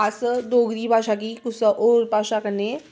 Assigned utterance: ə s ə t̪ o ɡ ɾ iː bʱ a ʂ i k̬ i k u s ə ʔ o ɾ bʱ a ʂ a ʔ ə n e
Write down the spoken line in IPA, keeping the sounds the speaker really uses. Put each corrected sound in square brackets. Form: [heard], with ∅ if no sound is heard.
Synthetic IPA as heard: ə s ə [d̪] o ɡ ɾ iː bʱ a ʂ [a] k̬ i k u s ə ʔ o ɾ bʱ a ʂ a [k] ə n e